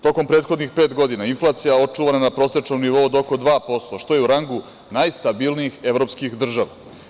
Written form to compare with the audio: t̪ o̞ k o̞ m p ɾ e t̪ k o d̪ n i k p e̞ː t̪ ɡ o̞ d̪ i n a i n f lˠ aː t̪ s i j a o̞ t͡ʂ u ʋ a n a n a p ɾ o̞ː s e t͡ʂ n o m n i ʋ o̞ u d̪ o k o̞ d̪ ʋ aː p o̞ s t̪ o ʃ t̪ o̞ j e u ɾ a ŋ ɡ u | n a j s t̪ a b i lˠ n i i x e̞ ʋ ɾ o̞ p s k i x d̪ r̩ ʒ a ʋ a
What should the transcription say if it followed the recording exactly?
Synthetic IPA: t̪ o̞ k o̞ m p ɾ e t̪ x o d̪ n i x p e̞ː t̪ ɡ o̞ d̪ i n a i n f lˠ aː t̪ s i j a o̞ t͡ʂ u ʋ a n a n a p ɾ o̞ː s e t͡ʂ n o m n i ʋ o̞ u d̪ o k o̞ d̪ ʋ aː p o̞ s t̪ o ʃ t̪ o̞ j e u ɾ a ŋ ɡ u | n a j s t̪ a b i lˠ n i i x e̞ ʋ ɾ o̞ p s k i x d̪ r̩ ʒ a ʋ a